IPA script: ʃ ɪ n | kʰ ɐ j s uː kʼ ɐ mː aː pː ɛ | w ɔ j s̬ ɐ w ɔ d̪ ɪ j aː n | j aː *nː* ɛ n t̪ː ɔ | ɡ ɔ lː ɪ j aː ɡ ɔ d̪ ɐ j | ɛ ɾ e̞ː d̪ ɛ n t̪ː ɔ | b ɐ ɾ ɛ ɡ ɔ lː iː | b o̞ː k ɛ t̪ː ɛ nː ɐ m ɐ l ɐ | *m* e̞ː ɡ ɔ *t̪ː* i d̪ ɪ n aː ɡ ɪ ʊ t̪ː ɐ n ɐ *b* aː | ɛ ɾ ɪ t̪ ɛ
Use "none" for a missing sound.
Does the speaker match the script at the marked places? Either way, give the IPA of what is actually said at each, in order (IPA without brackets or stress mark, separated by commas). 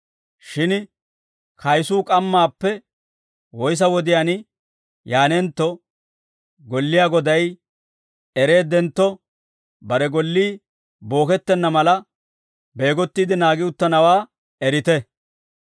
n, b, t̪ː, w